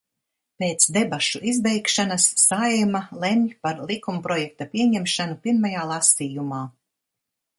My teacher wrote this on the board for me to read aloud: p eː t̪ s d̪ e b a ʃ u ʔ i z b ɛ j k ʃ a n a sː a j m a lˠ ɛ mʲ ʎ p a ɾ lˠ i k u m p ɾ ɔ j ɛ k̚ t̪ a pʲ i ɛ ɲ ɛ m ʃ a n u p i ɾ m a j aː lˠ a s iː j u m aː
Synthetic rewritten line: p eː t̪ s d̪ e b a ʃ u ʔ i z b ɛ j k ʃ a n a sː a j m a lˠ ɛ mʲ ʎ p a ɾ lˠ i k u m p ɾ ɔ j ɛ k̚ t̪ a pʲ i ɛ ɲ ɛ m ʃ a n u p i ɾ m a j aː lˠ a s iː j u m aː